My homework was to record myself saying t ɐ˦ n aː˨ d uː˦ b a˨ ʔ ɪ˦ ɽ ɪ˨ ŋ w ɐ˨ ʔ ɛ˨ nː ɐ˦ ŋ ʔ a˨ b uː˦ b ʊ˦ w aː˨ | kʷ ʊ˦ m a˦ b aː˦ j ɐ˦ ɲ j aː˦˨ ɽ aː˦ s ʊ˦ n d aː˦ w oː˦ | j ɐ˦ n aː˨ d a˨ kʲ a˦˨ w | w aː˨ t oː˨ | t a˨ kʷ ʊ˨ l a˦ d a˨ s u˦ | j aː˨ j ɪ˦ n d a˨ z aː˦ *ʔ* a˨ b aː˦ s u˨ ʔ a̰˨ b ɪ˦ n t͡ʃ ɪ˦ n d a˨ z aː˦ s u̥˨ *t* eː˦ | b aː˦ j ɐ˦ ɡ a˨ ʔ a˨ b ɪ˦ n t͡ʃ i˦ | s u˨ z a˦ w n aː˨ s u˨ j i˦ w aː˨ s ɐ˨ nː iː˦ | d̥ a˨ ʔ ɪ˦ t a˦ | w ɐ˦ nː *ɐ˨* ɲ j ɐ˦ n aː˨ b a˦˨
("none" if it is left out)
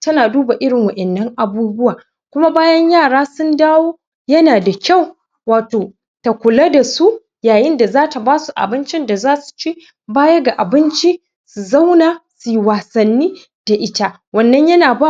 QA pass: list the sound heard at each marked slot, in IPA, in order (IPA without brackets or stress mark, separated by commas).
t, t͡ʃ, ɐ˦